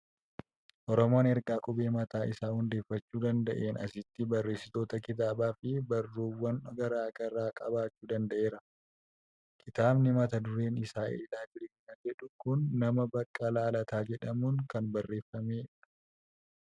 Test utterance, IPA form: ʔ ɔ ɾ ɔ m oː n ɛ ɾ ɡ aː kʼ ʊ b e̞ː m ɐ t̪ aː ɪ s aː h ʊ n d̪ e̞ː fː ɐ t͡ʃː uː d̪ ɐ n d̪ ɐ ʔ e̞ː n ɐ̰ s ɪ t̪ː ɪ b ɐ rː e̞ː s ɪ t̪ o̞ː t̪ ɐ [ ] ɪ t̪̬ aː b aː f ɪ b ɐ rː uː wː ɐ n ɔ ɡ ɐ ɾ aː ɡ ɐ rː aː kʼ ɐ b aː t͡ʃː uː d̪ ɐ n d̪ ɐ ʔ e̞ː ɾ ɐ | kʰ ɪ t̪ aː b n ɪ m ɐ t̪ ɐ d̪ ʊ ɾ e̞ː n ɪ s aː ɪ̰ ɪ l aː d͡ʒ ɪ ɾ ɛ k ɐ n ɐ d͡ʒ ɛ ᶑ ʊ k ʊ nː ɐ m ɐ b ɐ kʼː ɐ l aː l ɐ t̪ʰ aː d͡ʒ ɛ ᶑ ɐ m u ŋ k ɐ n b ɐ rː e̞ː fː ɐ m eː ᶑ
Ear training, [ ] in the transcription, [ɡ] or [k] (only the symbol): k